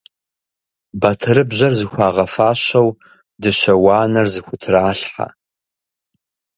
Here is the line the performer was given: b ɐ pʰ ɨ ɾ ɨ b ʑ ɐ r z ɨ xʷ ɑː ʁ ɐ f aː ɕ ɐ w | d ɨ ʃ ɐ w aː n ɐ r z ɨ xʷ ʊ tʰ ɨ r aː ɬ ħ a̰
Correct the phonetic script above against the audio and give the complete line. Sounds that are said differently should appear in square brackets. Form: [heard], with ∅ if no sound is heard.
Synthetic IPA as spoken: b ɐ [tʰ] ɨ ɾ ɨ b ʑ ɐ r z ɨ xʷ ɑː ʁ ɐ f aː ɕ ɐ w | d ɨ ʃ ɐ w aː n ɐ r z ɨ xʷ ʊ tʰ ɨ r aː ɬ ħ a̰